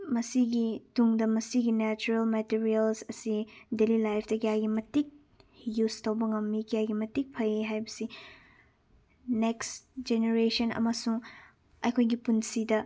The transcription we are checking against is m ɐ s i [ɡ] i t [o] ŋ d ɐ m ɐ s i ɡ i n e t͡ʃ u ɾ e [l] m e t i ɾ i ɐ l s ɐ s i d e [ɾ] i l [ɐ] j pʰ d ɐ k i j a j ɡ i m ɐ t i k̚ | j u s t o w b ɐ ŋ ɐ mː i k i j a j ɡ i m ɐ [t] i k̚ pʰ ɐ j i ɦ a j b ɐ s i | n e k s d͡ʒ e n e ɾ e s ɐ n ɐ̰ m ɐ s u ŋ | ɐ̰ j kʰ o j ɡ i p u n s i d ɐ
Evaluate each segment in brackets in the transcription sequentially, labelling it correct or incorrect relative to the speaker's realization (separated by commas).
correct, incorrect, correct, incorrect, incorrect, correct